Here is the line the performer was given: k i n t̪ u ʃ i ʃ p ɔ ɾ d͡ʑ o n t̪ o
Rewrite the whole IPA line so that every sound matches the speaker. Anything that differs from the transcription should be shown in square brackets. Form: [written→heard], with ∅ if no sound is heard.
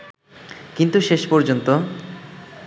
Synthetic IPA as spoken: k i n t̪ u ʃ [i→e] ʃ p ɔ ɾ d͡ʑ o n t̪ o